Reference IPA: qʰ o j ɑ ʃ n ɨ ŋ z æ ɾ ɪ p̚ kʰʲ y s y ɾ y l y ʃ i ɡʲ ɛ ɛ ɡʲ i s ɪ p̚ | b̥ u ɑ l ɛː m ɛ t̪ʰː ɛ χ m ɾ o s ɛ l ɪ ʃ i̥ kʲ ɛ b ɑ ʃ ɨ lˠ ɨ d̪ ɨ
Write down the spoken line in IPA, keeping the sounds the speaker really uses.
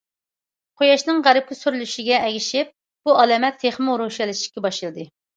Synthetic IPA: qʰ o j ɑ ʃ n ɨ ŋ ʁ æ ɾ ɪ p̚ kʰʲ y s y ɾ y l y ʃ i ɡʲ ɛ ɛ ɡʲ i ʃ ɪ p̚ | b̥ u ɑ l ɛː m ɛ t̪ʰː e χ m ɾ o ʃ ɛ l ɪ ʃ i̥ kʲ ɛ b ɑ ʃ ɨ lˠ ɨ d̪ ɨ